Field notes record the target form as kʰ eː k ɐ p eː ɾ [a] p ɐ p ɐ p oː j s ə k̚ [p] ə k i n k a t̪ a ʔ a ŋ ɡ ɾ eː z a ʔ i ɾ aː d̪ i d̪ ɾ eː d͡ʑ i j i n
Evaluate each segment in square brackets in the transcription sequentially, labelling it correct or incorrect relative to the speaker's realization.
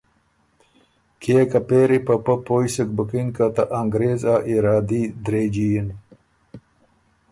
incorrect: i, incorrect: b

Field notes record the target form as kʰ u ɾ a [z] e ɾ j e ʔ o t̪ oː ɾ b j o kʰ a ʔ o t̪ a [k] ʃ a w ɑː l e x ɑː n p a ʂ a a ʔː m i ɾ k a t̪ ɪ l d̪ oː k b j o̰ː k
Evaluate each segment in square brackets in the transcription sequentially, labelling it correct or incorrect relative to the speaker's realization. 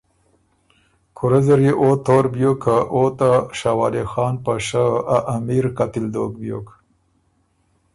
correct, incorrect: none

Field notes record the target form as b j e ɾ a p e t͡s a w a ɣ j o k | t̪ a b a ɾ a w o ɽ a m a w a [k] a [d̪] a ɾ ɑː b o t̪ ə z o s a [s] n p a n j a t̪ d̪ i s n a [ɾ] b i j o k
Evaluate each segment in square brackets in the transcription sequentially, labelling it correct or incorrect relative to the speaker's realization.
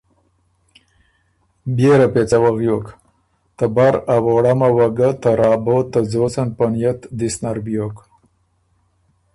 incorrect: ɡ, incorrect: t̪, incorrect: none, correct

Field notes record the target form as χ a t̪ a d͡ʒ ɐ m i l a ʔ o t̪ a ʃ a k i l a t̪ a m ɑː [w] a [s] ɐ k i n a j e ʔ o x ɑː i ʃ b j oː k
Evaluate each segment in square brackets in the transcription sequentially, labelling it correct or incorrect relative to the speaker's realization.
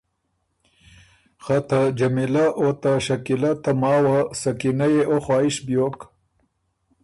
correct, correct

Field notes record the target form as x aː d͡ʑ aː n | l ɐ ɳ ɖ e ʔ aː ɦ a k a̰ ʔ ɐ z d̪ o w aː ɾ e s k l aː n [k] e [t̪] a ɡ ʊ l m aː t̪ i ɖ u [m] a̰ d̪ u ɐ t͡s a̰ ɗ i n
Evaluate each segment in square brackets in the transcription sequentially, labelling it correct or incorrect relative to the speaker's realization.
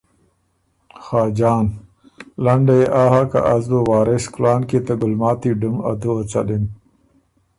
correct, correct, correct

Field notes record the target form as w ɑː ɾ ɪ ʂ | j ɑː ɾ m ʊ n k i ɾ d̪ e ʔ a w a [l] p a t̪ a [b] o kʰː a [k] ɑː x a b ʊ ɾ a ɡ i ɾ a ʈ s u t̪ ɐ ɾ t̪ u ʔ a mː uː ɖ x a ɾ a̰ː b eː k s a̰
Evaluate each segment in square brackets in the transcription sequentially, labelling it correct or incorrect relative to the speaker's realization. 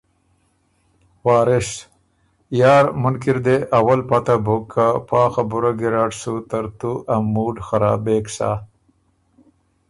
correct, correct, incorrect: p

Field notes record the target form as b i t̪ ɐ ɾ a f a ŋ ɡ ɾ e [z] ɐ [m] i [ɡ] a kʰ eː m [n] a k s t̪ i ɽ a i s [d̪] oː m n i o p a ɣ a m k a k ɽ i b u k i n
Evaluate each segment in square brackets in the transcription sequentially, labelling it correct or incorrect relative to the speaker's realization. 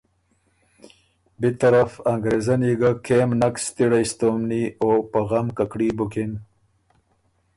correct, incorrect: n, correct, correct, incorrect: t̪

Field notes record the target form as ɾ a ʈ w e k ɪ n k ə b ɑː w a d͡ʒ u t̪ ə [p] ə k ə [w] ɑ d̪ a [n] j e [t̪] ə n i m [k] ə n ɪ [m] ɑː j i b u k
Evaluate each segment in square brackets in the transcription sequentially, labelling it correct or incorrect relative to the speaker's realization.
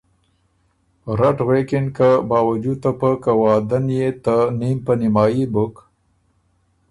correct, correct, correct, correct, incorrect: p, correct

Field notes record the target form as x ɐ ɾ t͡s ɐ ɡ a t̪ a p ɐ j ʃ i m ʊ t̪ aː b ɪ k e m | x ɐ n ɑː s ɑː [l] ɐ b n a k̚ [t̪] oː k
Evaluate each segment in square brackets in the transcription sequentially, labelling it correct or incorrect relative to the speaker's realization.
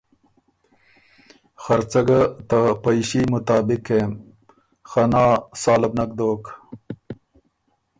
correct, incorrect: d̪

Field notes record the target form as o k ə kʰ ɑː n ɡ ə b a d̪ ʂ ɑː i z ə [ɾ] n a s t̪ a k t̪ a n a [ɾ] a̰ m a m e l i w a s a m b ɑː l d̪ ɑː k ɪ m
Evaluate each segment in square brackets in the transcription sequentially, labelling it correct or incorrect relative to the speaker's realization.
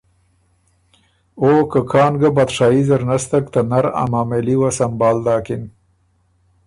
correct, correct

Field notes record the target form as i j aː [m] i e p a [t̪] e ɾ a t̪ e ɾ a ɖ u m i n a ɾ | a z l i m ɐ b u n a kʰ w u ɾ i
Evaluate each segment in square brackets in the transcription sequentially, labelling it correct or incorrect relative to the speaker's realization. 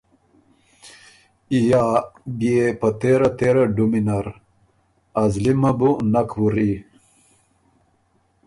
incorrect: b, correct

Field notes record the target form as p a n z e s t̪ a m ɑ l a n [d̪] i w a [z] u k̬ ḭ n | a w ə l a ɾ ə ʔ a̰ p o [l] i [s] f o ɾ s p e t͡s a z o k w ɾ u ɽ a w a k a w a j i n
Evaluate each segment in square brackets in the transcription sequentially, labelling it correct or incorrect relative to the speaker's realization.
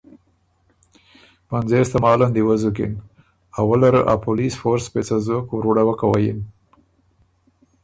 correct, correct, correct, correct

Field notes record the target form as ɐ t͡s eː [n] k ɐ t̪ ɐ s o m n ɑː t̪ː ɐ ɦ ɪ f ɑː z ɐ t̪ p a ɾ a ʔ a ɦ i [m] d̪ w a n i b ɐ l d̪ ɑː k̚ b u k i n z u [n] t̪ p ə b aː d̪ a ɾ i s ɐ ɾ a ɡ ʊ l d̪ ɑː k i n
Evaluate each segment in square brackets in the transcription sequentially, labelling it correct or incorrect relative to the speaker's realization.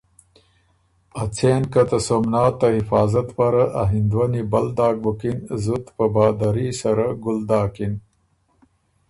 correct, incorrect: n, incorrect: none

